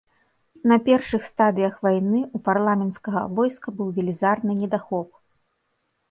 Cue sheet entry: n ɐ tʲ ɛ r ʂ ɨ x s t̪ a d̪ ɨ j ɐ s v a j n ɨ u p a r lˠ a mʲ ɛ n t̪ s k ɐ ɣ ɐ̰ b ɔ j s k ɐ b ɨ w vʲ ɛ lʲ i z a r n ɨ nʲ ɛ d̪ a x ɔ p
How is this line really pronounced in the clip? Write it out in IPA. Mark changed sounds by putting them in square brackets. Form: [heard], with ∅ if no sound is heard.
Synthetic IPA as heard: n ɐ [pʲ] ɛ r ʂ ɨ x s t̪ a d̪ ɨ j ɐ [x] v a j n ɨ u p a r lˠ a mʲ ɛ n t̪ s k ɐ ɣ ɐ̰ [v] ɔ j s k ɐ b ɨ w vʲ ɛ lʲ i z a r n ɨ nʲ ɛ d̪ a x ɔ p

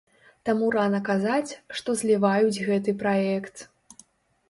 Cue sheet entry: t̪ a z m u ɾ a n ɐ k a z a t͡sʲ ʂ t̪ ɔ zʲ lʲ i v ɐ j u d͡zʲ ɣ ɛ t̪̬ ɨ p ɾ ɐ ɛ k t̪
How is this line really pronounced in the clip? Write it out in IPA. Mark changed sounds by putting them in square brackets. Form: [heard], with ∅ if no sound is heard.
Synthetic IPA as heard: t̪ a [∅] m u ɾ a n ɐ k a z a t͡sʲ ʂ t̪ ɔ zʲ lʲ i v [a] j u d͡zʲ ɣ ɛ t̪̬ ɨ p ɾ [a] ɛ k t̪

